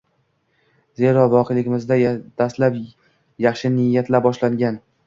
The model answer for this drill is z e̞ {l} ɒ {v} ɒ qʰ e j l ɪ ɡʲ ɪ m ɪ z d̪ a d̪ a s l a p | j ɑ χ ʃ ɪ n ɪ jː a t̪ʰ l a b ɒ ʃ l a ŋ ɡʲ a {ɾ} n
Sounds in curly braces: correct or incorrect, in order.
incorrect, correct, incorrect

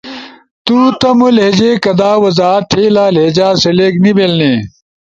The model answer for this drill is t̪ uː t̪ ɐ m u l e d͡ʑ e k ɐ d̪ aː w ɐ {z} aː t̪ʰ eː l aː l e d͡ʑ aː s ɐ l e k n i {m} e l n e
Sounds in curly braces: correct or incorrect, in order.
correct, incorrect

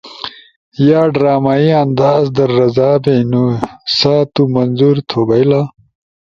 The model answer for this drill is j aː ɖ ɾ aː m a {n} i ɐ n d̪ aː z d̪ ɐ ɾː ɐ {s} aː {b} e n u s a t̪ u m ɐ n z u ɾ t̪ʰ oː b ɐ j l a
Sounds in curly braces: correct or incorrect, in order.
incorrect, incorrect, correct

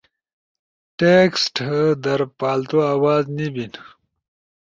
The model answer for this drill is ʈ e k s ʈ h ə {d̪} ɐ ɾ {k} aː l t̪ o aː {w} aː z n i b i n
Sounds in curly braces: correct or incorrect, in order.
correct, incorrect, correct

